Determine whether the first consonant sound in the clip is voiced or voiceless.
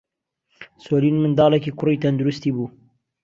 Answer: voiceless